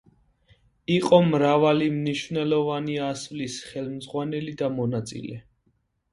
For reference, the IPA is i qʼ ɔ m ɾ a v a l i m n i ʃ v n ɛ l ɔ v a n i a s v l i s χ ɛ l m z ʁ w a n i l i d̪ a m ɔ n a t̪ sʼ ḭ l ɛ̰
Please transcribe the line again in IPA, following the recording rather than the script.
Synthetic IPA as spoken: i qʼ ɔ m ɾ a v a l i m n i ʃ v n ɛ l ɔ v a n i a s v l i s χ ɛ l m z ʁ w a n ɛ l i d̪ a m ɔ n a t̪ sʼ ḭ l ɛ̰

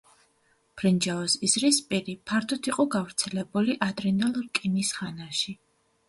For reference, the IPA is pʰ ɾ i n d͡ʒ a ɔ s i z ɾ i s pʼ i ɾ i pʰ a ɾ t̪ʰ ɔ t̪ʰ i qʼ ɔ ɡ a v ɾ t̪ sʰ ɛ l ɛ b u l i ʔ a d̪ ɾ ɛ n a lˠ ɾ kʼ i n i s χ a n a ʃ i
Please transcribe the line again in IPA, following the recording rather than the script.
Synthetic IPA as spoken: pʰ ɾ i n d͡ʒ a ɔ s i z ɾ i s pʼ i ɾ i pʰ a ɾ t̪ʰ ɔ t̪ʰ i qʼ ɔ ɡ a v ɾ t̪ sʰ ɛ l ɛ b u l i ʔ a d̪ ɾ ɛ n a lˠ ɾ kʼ i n i s χ a n a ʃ i

